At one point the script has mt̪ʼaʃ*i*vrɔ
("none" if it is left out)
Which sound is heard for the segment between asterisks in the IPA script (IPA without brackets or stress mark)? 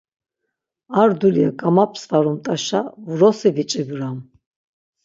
a